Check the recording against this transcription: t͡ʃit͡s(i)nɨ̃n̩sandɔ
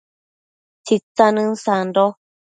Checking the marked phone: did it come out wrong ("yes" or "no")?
yes